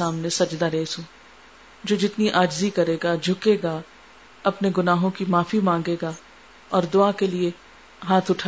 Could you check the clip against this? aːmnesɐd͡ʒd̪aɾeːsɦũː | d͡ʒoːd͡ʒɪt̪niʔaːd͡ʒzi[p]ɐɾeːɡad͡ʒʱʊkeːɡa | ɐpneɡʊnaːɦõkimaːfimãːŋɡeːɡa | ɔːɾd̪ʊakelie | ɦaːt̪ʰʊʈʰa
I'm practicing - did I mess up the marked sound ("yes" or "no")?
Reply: yes